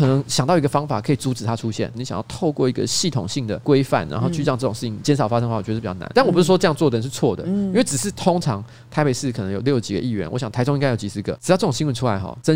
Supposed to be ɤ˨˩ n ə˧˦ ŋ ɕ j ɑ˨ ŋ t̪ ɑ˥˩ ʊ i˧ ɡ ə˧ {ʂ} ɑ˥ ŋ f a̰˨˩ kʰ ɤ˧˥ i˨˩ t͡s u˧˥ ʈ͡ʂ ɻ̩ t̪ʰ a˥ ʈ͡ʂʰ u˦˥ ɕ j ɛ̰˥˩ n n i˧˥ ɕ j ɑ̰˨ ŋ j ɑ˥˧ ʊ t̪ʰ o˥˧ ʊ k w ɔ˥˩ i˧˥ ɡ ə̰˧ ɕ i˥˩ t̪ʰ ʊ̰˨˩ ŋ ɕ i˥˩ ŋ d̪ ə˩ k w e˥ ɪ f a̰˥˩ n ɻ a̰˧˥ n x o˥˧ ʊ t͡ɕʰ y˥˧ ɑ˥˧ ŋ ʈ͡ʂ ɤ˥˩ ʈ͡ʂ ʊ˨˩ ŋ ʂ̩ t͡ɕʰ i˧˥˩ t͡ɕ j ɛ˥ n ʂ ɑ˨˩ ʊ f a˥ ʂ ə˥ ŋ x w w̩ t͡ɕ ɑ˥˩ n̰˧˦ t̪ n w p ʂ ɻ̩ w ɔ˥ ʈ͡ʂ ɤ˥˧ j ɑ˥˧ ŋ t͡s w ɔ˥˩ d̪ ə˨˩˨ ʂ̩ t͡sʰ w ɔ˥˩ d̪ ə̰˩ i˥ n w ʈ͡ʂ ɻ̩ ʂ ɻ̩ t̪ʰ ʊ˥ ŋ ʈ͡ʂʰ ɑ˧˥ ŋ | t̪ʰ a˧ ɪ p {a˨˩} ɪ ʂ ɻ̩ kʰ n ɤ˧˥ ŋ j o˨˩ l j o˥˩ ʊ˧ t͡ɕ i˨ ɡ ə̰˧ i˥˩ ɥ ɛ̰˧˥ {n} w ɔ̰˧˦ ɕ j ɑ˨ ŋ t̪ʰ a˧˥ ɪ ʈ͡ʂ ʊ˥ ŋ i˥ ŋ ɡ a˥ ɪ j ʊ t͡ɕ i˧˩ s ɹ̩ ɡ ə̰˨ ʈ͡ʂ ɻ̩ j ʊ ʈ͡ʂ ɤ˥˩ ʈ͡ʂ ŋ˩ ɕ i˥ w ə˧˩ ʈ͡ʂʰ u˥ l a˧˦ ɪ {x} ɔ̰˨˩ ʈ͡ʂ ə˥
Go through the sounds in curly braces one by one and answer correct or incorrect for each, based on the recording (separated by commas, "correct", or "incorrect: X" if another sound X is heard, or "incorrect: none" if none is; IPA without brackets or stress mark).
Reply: incorrect: f, incorrect: e˨˩, correct, correct